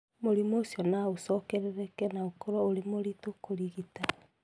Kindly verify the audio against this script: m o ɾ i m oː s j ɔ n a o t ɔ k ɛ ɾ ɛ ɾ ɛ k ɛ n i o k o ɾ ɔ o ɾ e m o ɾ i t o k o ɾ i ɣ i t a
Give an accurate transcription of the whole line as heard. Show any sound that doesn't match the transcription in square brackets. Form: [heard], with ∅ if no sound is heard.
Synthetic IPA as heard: m o ɾ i m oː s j ɔ n a o [s] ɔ k ɛ ɾ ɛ ɾ ɛ k ɛ n [a] o k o ɾ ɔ o ɾ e m o ɾ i t o k o ɾ i ɣ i t a